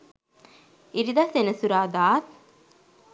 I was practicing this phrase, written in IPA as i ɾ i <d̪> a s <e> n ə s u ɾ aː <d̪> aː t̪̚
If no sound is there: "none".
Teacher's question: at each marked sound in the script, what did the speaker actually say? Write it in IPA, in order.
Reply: d̪, e, d̪

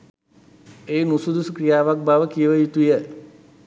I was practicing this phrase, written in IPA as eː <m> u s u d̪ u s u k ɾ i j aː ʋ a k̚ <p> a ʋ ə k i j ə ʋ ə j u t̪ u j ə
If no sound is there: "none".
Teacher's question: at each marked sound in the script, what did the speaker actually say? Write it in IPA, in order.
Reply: n, b

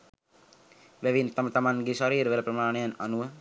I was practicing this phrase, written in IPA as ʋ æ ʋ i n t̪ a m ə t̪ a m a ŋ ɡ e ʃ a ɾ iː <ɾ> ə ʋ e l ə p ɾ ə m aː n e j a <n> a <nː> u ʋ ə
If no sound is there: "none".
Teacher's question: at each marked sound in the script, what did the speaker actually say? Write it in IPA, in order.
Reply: ɾ, n, n

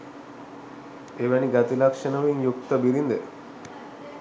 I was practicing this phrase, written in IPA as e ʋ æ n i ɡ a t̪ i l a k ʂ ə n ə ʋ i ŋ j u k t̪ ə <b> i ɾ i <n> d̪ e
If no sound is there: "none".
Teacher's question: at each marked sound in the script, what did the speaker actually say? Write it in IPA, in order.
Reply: b, n

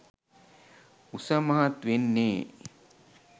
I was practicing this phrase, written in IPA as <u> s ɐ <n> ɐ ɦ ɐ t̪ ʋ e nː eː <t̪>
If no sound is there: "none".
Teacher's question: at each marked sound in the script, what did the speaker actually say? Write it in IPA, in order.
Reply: u, m, none

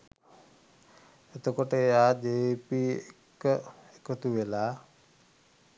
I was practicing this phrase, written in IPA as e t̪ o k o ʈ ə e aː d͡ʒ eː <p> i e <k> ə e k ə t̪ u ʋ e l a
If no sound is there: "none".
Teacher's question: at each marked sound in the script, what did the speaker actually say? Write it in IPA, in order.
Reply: p, k

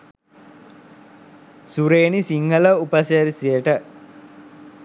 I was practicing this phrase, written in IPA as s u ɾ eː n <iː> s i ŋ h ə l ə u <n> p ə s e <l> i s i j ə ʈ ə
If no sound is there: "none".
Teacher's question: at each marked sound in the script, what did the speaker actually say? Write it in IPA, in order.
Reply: i, none, ɾ

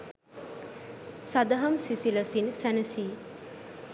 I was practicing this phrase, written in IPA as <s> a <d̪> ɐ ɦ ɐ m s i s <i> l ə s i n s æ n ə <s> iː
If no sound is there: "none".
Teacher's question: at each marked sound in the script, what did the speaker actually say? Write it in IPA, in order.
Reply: s, d̪, i, s

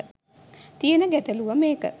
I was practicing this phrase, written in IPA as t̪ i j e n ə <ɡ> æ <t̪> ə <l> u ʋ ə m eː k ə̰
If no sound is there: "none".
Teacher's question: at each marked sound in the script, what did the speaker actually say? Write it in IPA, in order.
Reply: ɡ, t̪, l

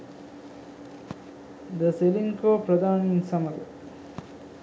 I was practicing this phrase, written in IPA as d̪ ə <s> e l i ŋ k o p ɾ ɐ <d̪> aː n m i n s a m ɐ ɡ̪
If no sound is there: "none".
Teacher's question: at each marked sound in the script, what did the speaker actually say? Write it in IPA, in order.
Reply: s, d̪

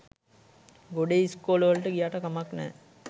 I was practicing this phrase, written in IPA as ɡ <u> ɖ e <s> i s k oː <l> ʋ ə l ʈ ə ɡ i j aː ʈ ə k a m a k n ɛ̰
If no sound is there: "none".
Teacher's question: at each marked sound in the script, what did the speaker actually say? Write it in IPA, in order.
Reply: o, none, l

